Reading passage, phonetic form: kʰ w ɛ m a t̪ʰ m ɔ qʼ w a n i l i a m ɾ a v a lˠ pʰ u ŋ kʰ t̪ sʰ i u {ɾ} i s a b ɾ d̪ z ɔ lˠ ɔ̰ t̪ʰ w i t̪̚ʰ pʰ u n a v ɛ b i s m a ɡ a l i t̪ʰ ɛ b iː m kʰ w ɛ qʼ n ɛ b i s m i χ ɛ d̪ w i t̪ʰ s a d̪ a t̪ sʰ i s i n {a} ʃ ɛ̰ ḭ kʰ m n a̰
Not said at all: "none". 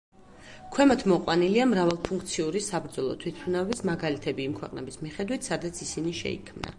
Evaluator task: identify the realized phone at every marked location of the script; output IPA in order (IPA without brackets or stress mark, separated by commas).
ɾ, i